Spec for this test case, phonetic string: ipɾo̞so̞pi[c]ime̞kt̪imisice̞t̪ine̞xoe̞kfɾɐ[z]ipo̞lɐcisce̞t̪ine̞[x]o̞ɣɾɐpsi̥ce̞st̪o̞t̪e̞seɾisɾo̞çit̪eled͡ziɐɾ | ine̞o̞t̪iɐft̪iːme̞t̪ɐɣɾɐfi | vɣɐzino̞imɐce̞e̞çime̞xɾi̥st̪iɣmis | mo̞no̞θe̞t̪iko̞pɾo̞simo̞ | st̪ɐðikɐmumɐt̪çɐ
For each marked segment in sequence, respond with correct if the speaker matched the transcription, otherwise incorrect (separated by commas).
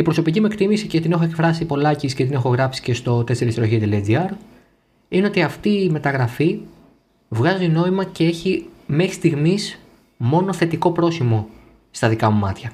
correct, incorrect, correct